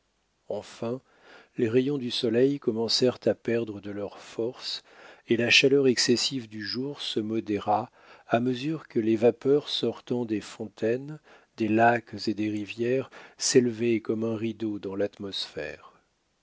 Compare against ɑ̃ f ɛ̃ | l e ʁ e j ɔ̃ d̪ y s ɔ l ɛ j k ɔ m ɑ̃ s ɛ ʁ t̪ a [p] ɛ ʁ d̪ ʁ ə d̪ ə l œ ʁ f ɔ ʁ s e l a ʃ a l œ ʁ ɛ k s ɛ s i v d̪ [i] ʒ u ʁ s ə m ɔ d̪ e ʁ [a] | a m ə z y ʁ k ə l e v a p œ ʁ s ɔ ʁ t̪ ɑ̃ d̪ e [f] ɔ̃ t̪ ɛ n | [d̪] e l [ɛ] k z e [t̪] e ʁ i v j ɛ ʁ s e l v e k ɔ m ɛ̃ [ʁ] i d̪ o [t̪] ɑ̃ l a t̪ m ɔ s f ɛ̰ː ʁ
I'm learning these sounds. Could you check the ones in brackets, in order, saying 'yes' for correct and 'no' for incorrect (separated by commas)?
yes, no, yes, yes, yes, no, no, yes, no